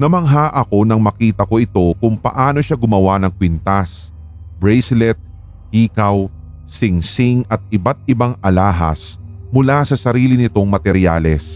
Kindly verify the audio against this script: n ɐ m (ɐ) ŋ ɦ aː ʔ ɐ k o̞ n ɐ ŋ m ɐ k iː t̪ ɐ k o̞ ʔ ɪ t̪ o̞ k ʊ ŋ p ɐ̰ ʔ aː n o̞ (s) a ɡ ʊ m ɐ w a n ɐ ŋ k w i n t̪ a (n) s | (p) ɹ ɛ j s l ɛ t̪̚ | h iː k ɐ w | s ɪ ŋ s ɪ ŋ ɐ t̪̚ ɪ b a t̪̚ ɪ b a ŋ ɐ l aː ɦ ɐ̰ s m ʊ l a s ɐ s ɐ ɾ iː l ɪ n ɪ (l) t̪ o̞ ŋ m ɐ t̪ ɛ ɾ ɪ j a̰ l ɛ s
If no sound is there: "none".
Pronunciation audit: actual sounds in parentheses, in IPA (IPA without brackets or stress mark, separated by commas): ɐ, ʃ, none, b, none